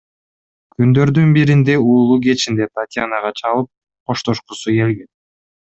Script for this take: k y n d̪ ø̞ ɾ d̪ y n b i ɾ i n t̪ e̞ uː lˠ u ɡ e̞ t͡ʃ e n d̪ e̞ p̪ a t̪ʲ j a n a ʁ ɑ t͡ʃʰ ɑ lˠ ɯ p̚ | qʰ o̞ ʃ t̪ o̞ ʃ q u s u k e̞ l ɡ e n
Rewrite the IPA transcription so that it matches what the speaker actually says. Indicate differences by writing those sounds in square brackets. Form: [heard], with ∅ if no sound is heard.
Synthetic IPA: k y n d̪ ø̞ ɾ d̪ y n b i ɾ i n [d̪] e̞ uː lˠ u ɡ e̞ t͡ʃ [i] n d̪ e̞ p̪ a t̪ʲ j a n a ʁ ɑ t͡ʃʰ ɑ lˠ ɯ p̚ | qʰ o̞ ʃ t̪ o̞ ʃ q u s u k e̞ l ɡ e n